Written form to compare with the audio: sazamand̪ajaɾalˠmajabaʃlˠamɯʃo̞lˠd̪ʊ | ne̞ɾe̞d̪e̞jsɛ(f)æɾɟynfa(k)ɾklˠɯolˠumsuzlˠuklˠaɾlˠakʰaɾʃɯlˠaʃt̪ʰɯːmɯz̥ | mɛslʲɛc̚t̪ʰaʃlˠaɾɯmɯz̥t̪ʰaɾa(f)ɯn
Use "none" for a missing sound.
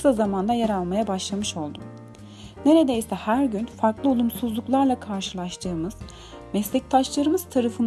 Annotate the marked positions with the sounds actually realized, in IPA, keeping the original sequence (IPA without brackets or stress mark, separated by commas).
h, none, f